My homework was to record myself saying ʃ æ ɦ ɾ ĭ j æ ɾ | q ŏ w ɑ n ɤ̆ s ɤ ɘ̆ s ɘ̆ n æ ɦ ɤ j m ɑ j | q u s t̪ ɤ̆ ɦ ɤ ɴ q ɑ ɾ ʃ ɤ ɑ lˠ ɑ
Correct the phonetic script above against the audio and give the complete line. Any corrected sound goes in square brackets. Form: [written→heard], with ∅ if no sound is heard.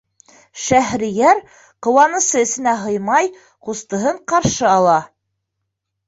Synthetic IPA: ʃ æ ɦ ɾ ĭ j æ ɾ | q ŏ w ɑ n ɤ̆ s ɤ ɘ̆ s ɘ̆ n æ ɦ ɤ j m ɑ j | q u s t̪ ɤ̆ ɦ ɤ ɴ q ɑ ɾ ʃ ɤ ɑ lˠ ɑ